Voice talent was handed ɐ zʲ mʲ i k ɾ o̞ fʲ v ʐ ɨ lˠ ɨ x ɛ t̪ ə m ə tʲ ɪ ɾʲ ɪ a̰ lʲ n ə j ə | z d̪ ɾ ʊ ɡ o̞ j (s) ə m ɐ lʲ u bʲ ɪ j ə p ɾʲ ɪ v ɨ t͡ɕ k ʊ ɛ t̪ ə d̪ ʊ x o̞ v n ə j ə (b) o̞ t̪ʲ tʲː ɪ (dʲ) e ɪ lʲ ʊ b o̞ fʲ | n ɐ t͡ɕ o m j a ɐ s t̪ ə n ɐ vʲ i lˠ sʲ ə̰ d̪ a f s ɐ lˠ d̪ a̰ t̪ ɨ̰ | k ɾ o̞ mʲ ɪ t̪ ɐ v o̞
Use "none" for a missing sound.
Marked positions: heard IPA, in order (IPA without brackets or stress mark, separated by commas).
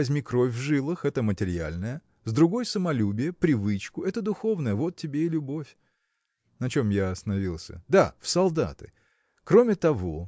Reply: s, v, bʲ